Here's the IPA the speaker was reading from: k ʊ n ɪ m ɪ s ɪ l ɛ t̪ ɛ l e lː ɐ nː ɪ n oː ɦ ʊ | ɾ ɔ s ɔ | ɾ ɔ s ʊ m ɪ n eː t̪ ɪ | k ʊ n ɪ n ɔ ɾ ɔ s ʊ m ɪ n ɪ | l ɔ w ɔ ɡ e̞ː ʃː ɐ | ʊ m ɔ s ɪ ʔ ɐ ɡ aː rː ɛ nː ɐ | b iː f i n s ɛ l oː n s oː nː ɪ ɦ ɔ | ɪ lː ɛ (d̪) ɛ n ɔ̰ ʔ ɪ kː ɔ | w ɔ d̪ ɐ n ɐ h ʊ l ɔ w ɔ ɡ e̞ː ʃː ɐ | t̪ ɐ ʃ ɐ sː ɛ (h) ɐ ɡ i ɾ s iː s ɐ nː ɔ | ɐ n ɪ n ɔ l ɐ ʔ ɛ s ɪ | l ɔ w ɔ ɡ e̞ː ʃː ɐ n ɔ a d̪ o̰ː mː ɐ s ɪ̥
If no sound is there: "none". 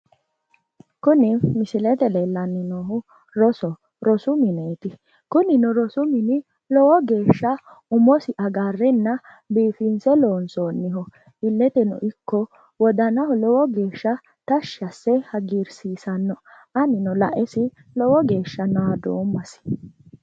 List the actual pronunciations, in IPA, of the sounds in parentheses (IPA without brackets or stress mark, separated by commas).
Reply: t̪, h